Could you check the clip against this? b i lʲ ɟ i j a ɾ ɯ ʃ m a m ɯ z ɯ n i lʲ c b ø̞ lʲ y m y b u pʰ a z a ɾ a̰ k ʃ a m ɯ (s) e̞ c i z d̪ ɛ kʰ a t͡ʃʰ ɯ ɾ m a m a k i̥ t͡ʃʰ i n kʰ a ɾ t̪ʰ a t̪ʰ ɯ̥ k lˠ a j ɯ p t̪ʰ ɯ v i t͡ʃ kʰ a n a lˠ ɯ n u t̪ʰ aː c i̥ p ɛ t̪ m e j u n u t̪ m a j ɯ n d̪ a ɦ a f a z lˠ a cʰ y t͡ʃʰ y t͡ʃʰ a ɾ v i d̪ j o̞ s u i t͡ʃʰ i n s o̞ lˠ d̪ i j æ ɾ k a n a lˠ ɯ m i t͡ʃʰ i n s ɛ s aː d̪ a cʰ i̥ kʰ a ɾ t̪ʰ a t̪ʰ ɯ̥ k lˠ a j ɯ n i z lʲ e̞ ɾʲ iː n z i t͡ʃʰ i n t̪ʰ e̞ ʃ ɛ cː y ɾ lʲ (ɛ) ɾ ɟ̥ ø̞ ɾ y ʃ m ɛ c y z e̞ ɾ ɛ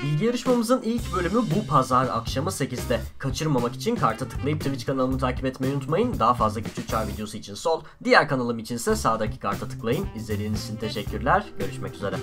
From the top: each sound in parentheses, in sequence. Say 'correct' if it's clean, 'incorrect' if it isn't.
correct, incorrect

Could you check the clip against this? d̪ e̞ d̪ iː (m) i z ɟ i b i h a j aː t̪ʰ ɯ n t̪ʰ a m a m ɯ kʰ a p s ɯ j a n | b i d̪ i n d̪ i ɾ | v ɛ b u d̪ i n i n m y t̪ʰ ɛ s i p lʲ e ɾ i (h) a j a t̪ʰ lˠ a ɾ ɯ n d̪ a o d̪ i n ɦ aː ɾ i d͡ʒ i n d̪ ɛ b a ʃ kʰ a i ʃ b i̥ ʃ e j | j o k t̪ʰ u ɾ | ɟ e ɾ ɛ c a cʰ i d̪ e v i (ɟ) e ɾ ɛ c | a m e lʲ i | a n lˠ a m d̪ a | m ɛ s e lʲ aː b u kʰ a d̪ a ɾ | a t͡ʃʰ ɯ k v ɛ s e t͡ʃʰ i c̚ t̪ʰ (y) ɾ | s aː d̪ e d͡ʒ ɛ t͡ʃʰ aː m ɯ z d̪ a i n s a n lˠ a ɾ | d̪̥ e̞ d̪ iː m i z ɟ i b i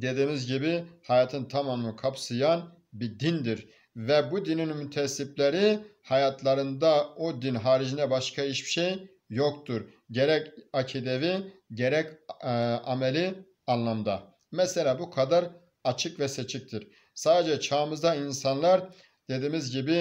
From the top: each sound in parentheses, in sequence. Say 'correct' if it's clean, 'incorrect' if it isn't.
correct, correct, correct, incorrect

